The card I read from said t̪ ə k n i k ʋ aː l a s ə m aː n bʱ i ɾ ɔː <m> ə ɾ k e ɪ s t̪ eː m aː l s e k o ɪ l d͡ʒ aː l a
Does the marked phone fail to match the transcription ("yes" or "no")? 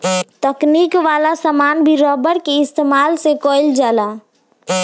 yes